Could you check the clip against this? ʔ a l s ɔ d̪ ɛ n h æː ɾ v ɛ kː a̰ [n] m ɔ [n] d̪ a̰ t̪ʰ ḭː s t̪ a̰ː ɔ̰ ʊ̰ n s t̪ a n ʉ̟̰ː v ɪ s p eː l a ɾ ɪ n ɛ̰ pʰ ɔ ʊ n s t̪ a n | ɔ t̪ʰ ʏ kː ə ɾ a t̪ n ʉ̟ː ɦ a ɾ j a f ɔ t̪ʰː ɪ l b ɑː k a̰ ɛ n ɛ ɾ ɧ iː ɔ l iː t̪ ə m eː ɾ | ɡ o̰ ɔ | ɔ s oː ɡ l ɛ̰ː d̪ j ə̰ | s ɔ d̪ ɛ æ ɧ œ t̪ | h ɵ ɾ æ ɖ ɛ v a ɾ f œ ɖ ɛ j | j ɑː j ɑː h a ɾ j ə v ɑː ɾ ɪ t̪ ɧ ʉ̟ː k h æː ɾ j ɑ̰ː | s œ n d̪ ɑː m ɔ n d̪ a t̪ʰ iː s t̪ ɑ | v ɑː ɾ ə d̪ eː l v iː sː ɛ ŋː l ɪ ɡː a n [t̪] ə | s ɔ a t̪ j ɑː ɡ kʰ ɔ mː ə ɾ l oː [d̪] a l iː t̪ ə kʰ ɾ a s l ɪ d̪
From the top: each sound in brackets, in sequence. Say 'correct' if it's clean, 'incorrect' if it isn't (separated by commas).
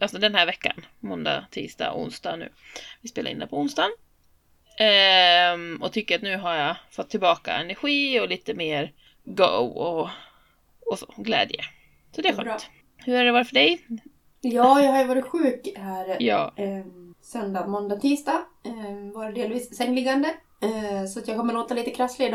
correct, correct, incorrect, incorrect